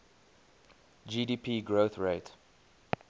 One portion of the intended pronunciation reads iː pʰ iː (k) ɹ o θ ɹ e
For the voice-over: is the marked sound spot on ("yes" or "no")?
no